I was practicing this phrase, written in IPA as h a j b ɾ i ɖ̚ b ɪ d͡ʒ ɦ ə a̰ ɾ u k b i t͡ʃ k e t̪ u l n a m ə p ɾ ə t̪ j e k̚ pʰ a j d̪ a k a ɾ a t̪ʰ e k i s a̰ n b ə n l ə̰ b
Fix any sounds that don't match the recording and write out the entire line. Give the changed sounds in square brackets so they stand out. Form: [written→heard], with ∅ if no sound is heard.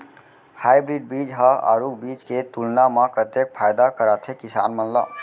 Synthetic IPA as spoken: h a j b ɾ i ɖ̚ b [ɪ→i] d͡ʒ ɦ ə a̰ ɾ u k b i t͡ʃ k e t̪ u l n a m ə p ɾ ə t̪ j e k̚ pʰ a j d̪ a k [a→ə] ɾ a t̪ʰ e k i s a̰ n [b→m] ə n l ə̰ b